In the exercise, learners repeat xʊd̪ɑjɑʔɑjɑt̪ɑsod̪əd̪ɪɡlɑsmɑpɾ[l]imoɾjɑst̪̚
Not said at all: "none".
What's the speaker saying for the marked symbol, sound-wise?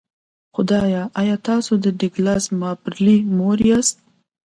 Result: l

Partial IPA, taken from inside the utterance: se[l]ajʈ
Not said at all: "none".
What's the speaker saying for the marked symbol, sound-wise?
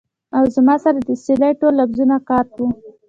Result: l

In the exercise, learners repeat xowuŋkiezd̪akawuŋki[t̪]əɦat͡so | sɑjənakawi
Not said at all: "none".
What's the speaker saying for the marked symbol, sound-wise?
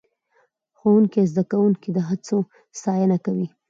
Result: d̪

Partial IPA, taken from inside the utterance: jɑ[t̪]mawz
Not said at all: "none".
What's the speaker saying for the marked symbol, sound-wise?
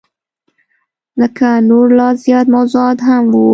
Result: t̪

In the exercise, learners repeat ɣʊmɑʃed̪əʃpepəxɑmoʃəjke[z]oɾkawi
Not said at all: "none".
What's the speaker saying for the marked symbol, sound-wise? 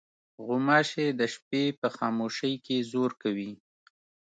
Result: z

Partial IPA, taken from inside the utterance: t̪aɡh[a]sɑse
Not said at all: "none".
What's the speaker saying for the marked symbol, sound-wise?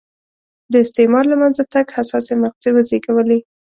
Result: a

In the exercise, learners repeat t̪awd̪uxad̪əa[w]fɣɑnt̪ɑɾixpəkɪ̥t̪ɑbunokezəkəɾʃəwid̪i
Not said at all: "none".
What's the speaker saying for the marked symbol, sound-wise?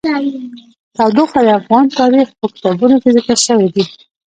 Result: none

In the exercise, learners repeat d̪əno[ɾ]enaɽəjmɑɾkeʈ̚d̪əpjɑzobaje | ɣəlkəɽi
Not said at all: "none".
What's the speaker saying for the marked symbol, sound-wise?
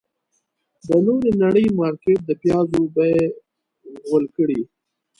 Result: ɾ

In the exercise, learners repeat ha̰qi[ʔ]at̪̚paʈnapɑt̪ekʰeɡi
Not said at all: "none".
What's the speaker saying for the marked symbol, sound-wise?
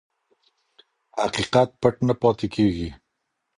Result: q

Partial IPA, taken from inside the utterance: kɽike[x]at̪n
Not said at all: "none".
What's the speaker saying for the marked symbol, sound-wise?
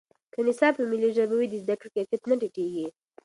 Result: k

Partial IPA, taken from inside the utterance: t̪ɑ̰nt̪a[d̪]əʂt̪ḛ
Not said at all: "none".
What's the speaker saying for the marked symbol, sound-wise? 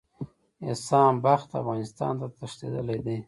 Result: t̪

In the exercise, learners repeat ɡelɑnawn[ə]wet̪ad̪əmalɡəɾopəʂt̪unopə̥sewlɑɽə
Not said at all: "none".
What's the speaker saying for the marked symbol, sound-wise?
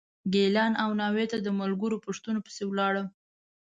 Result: ɑ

